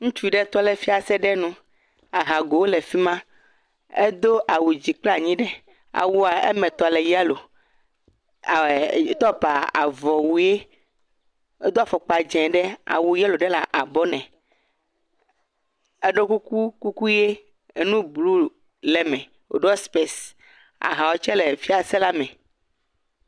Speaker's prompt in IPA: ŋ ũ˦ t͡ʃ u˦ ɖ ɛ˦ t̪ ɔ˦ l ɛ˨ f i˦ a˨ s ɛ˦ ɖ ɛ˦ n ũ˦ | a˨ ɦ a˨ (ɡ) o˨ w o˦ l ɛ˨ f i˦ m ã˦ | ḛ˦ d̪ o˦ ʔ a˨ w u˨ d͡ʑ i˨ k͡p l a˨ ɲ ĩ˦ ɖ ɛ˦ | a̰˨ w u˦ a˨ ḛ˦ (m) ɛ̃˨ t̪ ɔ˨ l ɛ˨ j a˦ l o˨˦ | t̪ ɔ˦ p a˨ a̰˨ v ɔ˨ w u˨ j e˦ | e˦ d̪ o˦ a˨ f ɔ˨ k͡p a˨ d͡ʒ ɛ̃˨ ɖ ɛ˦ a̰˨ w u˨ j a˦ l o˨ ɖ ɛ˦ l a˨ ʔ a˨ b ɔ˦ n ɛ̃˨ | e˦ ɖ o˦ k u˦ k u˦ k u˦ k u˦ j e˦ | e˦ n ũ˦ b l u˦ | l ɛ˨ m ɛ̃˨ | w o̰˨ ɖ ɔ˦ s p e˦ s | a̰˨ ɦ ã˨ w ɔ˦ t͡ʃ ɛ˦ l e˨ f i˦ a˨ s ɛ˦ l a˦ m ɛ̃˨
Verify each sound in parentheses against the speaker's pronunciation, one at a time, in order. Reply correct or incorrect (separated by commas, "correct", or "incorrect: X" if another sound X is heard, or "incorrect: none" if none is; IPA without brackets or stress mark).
correct, correct